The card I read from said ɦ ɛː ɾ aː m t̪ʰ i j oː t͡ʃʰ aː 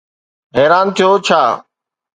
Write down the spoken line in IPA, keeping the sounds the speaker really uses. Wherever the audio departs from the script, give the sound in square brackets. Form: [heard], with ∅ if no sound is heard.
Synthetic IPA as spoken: ɦ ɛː ɾ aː [n] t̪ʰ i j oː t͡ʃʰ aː